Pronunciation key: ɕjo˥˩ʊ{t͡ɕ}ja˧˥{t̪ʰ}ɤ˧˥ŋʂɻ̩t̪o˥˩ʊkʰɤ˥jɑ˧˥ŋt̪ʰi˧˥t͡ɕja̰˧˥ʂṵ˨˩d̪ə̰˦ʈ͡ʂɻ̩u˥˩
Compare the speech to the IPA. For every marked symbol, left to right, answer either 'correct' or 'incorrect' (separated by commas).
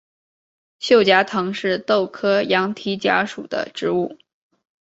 correct, correct